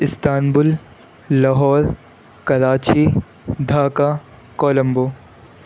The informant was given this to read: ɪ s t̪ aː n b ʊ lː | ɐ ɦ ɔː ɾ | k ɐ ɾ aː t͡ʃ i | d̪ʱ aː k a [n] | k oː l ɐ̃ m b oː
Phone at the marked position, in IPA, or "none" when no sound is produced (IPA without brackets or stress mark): none